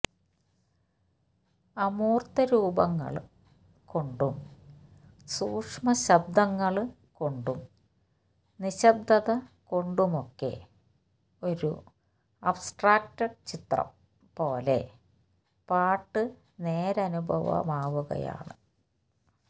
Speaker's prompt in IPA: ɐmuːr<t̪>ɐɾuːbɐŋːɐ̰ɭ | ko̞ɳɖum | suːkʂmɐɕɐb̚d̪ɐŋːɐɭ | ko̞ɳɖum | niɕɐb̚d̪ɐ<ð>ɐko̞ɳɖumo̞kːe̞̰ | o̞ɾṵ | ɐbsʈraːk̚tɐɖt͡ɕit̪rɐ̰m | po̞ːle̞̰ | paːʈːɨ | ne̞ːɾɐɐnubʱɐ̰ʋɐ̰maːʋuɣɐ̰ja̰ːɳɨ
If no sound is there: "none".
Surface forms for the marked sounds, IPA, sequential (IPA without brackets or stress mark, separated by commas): t̪, ð